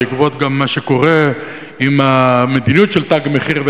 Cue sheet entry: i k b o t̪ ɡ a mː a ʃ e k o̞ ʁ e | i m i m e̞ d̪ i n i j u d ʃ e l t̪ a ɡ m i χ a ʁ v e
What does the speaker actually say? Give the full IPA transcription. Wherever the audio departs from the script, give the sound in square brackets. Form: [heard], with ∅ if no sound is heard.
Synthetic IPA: i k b o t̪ ɡ a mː a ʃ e k o̞ ʁ e | i m [a] m e̞ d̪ i n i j u [t] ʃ e l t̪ a ɡ m [e] χ [i] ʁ v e